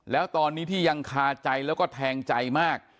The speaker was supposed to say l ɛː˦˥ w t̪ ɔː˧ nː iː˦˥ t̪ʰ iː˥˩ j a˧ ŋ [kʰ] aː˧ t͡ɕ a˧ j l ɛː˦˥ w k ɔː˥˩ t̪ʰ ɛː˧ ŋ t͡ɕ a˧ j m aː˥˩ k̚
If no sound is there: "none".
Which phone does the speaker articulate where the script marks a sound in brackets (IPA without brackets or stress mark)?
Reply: kʰ